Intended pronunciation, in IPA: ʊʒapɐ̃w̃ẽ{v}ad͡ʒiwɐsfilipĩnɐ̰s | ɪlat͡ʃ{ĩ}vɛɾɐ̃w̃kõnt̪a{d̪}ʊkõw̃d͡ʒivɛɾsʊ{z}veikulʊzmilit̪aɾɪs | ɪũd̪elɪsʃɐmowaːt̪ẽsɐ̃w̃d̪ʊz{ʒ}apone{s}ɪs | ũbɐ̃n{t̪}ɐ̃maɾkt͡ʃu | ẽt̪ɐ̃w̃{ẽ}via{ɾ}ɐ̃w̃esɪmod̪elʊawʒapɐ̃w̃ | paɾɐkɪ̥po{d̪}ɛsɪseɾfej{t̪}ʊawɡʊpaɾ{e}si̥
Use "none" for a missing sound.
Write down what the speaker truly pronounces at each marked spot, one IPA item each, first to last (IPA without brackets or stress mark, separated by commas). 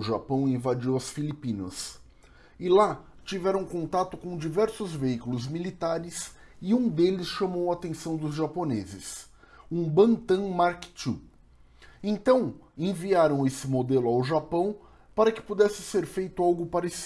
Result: v, i, t̪, z, ʒ, z, t̪, ẽ, ɾ, d̪, t̪, e